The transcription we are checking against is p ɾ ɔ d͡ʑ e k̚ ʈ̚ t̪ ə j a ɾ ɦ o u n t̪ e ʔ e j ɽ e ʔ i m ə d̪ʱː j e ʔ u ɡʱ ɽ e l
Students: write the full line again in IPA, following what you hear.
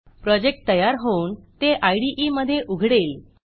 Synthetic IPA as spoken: p ɾ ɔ d͡ʑ e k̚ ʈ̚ t̪ ə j a ɾ ɦ o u n t̪ e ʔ a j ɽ i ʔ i m ə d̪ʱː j e ʔ u ɡʱ ɽ e l